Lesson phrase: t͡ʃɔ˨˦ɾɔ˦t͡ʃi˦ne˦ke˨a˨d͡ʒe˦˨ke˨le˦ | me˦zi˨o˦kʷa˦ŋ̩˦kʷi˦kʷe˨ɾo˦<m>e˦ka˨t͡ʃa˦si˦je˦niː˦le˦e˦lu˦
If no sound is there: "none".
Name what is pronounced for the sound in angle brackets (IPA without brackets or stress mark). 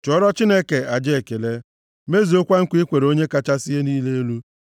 ɲ